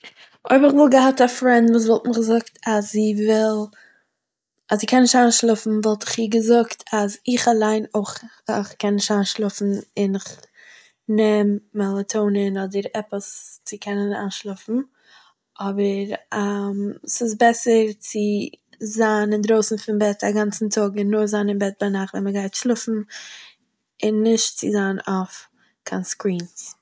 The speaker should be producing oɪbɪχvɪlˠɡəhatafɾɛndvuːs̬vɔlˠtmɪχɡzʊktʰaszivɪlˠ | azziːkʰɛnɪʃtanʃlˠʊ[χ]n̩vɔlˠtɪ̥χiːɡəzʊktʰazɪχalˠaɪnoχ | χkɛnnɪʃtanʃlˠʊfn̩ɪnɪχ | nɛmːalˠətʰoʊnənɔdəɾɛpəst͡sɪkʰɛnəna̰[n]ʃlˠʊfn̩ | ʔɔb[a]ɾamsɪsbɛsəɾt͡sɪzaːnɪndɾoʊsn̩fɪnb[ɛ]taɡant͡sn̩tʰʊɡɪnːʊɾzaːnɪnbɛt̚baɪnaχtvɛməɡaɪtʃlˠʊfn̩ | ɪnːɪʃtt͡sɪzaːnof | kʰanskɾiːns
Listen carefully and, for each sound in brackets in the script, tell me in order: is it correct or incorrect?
incorrect: f, correct, incorrect: ə, correct

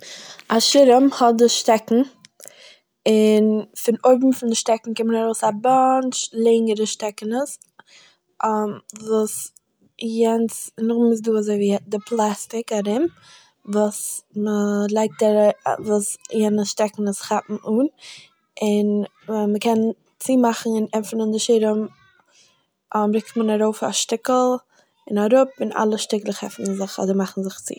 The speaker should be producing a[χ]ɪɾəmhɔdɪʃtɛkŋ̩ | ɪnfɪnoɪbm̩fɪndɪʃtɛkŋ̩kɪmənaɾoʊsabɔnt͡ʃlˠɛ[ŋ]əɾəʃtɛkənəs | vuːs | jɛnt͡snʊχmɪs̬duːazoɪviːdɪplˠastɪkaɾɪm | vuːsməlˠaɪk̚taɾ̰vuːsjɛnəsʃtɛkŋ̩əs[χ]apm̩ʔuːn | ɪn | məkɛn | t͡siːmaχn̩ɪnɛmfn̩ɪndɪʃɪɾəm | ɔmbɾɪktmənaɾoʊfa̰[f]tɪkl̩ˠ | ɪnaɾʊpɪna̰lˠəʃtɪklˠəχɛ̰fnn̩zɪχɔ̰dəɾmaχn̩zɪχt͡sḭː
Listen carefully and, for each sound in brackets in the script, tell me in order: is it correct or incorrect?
incorrect: ʃ, correct, correct, incorrect: ʃ

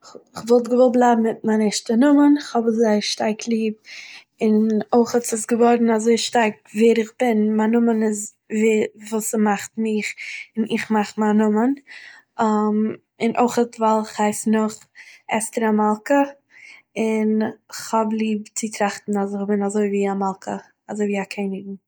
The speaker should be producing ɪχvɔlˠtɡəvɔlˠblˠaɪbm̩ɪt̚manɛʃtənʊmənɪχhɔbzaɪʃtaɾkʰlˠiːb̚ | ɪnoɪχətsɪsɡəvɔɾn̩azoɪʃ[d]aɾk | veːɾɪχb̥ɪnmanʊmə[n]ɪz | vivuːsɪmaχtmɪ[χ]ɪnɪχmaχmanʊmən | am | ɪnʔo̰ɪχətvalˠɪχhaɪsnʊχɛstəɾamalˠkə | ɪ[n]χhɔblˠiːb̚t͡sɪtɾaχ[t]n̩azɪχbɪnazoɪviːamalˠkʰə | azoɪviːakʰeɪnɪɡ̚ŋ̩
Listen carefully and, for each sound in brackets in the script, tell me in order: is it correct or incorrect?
incorrect: t, correct, correct, correct, correct

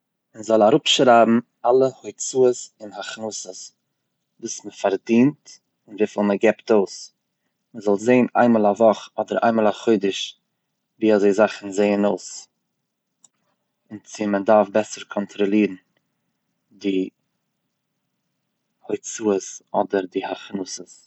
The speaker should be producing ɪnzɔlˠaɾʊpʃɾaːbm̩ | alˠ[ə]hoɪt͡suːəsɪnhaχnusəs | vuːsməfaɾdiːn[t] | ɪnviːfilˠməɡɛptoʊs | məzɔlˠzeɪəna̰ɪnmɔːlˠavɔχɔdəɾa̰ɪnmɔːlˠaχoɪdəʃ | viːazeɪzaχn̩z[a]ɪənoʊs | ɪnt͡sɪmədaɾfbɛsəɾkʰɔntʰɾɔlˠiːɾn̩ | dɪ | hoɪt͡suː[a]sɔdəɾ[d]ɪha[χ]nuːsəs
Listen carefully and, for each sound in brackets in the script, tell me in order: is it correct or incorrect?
correct, correct, incorrect: e, incorrect: ə, correct, correct

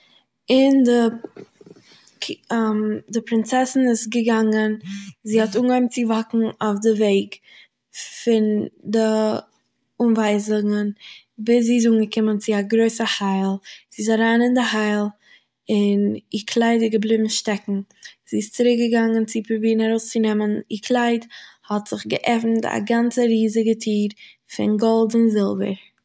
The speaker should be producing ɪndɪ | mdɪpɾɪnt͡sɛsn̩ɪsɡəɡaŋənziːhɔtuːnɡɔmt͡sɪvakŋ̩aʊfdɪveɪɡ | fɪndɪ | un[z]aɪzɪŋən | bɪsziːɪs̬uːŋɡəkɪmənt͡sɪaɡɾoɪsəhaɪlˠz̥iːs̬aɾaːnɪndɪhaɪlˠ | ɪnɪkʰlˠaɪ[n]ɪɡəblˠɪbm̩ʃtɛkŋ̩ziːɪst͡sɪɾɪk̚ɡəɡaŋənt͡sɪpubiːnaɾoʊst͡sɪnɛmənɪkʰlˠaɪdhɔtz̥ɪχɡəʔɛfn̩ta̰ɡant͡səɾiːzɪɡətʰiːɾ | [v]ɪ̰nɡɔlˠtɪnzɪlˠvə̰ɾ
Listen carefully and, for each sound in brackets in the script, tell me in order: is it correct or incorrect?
incorrect: v, incorrect: d, incorrect: f

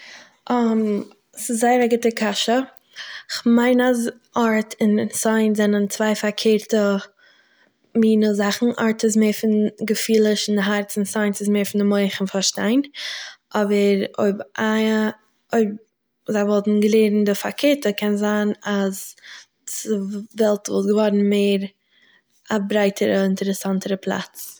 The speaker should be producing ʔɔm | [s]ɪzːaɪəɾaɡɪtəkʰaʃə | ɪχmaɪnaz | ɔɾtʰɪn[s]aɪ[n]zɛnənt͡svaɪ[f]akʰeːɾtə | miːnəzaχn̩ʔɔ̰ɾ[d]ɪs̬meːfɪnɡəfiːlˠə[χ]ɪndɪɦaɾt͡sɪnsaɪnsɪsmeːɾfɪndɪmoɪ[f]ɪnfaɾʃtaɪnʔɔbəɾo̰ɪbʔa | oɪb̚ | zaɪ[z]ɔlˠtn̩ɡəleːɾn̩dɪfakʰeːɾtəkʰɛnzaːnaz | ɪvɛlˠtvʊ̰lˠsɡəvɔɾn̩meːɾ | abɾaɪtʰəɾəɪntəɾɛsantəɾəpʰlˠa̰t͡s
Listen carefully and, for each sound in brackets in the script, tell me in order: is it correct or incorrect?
correct, correct, correct, correct, incorrect: t, incorrect: ʃ, incorrect: χ, incorrect: v

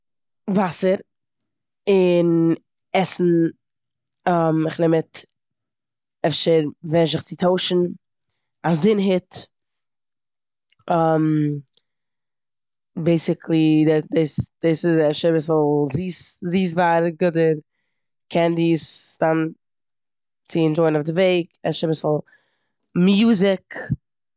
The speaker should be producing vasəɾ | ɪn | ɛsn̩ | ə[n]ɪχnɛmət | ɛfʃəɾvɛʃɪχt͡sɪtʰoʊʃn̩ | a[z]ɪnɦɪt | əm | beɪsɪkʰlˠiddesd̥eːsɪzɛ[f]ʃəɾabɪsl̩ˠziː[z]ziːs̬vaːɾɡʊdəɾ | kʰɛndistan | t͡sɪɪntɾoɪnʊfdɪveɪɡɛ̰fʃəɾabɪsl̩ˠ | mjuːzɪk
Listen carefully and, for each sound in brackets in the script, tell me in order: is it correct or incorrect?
incorrect: m, correct, correct, incorrect: s

